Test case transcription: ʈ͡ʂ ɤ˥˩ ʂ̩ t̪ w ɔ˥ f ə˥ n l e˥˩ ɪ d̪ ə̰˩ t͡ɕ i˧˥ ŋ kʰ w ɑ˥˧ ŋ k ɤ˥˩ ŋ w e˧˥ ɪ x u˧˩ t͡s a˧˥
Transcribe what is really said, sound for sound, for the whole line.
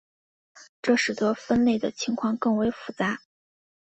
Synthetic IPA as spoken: ʈ͡ʂ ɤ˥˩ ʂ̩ t̪ w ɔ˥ f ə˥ n l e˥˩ ɪ d̪ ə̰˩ t͡ɕʰ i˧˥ ŋ kʰ w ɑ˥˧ ŋ k ɤ˥˩ ŋ w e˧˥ ɪ f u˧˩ t͡s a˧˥

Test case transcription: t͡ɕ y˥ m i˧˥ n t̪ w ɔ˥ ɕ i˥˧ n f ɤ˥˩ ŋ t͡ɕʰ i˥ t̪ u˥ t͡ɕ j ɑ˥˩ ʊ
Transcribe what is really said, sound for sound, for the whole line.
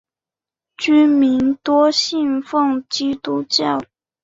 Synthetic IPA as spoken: t͡ɕ y˥ m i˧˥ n t̪ w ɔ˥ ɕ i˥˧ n f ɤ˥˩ ŋ t͡ɕ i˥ t̪ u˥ t͡ɕ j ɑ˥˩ ʊ

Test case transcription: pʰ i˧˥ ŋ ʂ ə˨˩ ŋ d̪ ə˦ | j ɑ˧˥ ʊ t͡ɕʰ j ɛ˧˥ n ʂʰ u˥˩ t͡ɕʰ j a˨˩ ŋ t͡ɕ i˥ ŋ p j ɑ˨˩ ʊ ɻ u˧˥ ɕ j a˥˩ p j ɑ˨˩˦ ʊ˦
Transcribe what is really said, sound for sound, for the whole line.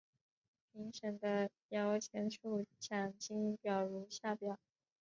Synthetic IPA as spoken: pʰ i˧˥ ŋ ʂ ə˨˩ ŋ d̪ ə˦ | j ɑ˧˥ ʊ t͡ɕʰ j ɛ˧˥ n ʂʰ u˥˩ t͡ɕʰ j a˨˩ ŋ t͡ɕ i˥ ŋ p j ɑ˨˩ ʊ ɻ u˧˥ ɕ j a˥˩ p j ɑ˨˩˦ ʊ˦

